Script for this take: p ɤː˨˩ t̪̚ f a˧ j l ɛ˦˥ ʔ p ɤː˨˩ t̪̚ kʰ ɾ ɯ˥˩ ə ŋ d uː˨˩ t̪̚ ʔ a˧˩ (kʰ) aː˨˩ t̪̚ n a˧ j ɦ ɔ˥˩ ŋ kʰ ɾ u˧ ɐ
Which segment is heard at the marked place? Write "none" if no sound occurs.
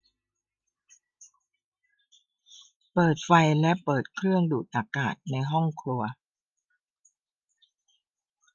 k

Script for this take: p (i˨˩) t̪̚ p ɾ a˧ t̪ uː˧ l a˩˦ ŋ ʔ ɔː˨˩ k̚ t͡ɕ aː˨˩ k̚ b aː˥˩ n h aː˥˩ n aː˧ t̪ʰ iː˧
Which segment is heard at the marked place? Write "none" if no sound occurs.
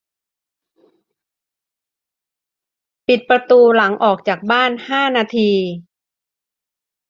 i˨˩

